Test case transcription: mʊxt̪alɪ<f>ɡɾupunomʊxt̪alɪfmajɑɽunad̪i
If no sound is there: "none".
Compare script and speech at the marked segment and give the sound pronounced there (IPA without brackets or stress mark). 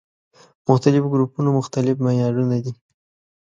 f